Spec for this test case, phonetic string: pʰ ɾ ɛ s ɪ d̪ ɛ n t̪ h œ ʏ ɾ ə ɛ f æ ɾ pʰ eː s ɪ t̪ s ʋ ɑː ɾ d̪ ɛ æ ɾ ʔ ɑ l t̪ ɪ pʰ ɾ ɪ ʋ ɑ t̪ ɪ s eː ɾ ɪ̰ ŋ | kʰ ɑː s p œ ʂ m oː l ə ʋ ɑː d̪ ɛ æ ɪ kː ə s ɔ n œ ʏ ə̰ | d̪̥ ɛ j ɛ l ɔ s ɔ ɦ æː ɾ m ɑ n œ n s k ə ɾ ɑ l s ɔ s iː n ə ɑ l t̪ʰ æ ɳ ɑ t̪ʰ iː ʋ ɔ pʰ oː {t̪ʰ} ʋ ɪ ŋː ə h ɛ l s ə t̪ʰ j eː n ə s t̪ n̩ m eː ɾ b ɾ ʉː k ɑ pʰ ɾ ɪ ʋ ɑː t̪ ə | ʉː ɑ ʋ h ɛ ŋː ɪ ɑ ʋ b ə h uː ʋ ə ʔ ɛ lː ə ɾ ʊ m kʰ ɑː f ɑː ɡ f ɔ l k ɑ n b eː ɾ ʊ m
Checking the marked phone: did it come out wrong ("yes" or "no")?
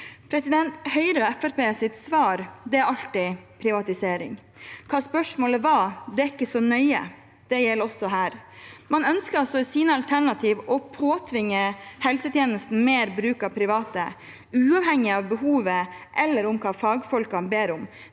no